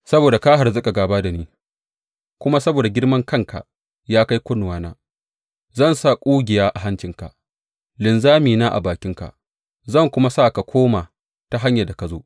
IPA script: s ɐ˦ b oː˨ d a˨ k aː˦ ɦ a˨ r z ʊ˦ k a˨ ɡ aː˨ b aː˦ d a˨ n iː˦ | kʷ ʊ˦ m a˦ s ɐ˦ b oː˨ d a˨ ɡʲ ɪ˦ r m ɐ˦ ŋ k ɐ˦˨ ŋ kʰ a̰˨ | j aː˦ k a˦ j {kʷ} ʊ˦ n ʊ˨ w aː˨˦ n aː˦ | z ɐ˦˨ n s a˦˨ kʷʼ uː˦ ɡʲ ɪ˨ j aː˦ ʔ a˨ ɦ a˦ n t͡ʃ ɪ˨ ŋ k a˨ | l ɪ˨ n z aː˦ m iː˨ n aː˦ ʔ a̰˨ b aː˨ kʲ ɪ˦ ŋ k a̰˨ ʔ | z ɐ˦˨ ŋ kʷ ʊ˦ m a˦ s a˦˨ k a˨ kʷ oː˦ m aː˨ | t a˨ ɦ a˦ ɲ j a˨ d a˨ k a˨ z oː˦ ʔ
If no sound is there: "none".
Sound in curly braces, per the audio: kʷ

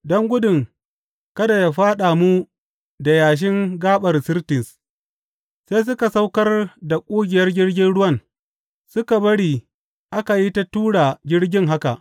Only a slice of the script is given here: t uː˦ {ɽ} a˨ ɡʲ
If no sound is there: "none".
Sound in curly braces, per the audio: ɽ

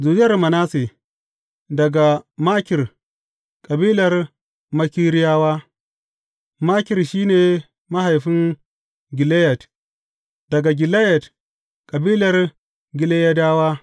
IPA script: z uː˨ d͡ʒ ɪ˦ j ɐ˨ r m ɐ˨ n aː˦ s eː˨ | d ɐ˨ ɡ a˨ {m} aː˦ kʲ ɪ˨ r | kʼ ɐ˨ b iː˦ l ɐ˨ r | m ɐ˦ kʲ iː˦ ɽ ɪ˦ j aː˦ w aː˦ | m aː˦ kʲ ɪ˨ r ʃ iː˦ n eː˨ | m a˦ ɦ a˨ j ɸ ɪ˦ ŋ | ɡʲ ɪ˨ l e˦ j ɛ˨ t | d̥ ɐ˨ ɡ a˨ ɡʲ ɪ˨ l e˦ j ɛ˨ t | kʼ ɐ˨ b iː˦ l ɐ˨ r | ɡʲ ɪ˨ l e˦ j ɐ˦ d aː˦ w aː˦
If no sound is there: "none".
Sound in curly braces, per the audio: m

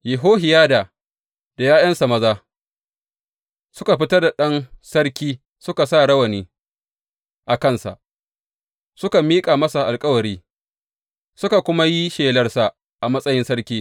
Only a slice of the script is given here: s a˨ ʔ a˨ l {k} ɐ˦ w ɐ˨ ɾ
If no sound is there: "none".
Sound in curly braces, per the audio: kʼ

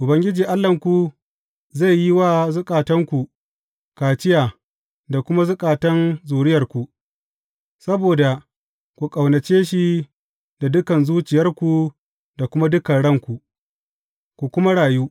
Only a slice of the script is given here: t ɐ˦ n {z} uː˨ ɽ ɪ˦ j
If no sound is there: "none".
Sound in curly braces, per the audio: z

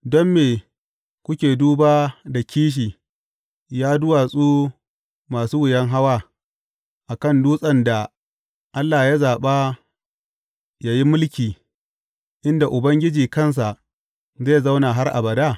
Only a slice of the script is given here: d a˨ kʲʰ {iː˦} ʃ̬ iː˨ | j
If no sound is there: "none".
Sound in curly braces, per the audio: iː˦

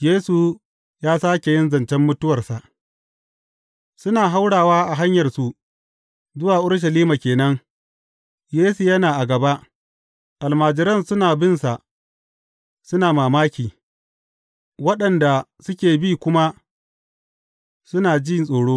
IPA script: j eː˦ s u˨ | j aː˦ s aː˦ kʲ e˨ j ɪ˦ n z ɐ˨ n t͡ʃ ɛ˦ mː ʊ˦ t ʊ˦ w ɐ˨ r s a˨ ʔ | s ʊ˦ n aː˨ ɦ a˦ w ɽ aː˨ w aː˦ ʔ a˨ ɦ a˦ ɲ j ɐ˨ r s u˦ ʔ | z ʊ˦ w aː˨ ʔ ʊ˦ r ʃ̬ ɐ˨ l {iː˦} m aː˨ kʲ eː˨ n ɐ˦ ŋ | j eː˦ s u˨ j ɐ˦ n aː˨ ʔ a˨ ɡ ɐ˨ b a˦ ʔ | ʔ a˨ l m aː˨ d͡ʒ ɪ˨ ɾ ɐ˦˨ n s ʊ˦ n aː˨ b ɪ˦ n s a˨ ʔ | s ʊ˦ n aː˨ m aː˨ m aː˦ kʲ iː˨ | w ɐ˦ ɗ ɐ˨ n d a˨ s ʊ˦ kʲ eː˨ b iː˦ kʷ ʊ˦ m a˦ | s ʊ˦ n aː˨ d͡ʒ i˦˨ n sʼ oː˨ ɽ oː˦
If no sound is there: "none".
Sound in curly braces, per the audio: iː˦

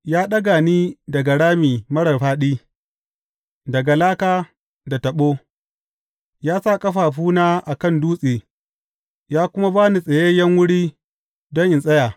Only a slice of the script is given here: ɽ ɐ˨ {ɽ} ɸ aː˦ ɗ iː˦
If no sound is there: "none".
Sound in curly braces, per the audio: r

